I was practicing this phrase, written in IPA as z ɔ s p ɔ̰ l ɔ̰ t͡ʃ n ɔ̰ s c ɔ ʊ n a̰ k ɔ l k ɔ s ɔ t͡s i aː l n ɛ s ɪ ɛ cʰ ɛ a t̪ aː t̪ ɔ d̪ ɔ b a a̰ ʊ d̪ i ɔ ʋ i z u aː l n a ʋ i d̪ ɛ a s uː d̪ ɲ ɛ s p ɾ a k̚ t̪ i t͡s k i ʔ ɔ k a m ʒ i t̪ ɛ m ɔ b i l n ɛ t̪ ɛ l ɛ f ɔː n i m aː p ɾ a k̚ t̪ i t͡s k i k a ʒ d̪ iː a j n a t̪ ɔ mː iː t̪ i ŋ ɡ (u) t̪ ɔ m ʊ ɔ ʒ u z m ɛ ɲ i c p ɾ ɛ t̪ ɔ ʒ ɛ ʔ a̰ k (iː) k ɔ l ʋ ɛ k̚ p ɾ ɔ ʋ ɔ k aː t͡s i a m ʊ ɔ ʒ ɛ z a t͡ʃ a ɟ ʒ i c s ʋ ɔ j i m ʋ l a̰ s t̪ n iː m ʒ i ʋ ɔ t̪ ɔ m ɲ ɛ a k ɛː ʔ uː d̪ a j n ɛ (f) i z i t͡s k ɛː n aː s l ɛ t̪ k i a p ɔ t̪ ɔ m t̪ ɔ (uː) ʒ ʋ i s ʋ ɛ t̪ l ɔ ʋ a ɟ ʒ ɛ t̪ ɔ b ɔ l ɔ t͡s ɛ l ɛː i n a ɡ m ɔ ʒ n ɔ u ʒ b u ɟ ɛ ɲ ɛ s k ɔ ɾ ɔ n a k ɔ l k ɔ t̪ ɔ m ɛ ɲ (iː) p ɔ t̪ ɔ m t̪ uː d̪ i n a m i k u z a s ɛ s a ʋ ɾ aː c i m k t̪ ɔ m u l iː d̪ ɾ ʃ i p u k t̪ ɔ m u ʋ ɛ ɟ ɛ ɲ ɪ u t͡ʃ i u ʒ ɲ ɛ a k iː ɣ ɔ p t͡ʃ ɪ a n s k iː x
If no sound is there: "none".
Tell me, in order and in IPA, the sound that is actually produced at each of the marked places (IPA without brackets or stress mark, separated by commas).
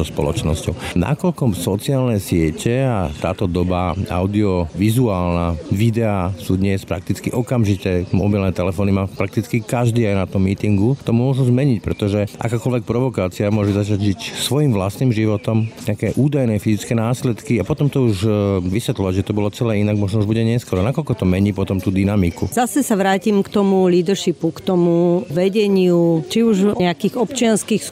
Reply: u, aː, f, u, iː